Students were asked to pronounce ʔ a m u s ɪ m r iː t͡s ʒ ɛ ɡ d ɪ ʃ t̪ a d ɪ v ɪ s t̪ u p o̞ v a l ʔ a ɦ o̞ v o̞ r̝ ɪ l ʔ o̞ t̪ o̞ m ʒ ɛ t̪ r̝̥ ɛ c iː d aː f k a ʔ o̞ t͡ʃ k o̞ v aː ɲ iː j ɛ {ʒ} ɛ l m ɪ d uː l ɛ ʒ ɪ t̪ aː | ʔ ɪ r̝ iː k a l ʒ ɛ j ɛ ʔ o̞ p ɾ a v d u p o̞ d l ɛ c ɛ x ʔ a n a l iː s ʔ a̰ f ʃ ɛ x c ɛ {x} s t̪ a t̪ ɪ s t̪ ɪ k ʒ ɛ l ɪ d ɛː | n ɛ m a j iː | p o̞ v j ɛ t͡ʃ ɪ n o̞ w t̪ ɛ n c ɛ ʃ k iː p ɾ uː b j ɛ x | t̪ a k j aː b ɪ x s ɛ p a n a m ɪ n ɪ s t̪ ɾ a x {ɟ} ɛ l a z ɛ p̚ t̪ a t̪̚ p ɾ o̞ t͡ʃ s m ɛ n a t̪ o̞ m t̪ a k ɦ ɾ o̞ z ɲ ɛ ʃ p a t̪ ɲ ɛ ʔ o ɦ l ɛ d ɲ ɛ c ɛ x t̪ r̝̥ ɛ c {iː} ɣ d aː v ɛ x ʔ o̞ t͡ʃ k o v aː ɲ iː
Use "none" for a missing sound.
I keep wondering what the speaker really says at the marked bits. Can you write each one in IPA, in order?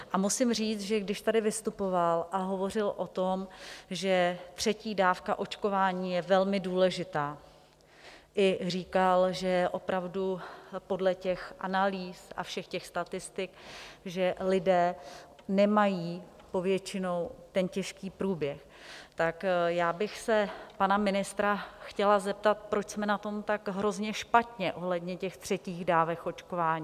v, x, c, iː

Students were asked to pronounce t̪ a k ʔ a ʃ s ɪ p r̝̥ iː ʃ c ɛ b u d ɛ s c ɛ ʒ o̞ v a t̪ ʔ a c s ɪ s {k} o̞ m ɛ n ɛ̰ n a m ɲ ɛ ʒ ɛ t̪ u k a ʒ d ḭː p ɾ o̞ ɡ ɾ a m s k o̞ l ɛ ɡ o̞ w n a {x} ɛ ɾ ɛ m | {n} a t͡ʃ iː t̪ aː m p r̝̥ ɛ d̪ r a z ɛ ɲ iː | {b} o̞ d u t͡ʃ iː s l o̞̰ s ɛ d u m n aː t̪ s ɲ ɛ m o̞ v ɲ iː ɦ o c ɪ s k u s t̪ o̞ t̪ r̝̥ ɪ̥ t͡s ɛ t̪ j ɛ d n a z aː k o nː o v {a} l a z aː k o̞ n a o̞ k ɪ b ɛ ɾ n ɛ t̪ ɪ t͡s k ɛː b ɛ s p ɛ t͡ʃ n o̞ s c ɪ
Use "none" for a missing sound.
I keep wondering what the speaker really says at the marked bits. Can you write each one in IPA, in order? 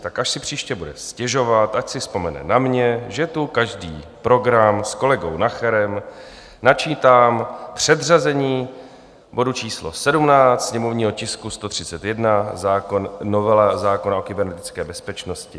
p, x, n, b, ɛ

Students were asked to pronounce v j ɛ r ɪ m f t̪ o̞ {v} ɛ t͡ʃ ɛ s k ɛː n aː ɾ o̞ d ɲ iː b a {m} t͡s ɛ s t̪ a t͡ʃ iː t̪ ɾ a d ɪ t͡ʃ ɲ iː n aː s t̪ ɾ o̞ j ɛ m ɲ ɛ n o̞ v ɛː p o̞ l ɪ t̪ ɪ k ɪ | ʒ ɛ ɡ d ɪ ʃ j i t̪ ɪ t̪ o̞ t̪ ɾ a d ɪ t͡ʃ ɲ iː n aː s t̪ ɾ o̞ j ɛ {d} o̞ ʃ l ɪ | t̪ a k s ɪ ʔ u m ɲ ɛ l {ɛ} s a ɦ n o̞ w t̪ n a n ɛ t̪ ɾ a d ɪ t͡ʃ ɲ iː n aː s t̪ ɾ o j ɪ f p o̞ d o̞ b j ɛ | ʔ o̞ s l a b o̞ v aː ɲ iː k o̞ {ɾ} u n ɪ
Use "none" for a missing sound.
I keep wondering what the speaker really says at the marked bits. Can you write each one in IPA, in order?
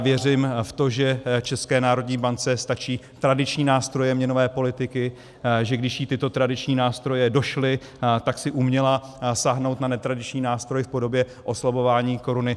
ʒ, n, d, a, ɾ

